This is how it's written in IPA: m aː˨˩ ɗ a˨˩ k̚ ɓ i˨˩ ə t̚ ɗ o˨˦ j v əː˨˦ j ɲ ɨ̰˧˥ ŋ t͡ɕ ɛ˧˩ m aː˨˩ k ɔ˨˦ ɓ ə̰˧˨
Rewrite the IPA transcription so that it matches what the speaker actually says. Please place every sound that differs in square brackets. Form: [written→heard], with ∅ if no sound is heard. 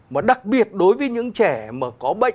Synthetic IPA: m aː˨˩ ɗ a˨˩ k̚ ɓ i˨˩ ə t̚ ɗ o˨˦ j v əː˨˦ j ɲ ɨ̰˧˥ ŋ t͡ɕ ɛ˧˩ m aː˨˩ k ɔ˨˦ ɓ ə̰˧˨